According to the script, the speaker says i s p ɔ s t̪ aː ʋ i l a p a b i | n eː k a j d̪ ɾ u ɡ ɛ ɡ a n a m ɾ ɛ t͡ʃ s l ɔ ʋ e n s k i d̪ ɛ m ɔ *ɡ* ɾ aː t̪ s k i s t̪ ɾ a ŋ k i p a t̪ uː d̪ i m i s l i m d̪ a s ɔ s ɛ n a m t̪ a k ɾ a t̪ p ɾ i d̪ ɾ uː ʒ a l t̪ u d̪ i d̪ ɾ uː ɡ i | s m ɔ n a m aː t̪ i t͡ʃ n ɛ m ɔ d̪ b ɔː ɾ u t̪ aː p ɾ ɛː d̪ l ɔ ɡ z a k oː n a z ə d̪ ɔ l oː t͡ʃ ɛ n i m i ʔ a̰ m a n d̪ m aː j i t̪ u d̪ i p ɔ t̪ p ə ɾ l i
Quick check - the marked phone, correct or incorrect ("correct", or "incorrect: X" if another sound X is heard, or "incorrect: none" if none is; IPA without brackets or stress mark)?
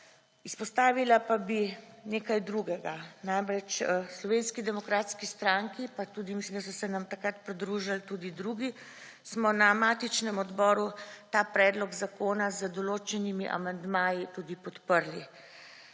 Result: incorrect: k